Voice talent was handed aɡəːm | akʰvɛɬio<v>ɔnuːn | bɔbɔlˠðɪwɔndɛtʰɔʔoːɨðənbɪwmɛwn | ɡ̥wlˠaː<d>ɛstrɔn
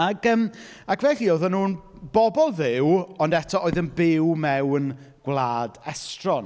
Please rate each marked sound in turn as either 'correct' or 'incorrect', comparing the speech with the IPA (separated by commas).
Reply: incorrect, correct